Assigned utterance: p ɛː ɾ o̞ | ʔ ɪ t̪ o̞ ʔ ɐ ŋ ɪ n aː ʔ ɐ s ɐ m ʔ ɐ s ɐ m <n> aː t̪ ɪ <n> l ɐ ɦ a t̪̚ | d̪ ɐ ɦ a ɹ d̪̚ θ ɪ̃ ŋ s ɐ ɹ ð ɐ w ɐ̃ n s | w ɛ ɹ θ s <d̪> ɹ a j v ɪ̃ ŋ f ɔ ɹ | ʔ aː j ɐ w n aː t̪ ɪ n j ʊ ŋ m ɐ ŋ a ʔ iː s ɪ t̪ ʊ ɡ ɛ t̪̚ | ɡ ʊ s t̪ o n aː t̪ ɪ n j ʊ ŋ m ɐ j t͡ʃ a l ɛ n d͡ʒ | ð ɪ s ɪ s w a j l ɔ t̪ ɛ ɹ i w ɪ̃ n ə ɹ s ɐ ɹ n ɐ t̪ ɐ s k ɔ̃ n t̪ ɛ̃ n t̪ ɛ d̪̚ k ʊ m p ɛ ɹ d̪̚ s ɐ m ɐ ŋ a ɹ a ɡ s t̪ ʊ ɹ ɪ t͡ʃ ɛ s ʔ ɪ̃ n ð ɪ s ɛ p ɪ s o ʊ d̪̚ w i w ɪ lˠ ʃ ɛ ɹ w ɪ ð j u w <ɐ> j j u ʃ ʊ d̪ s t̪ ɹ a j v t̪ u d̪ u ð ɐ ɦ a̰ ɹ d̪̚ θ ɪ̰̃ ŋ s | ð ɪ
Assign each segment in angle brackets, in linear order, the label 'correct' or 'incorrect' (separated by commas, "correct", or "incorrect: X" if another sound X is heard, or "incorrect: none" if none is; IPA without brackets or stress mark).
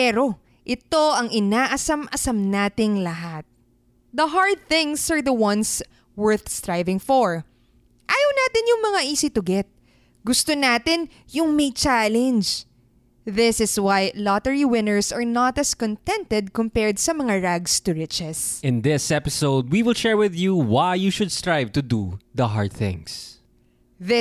correct, incorrect: ŋ, incorrect: t̪, incorrect: a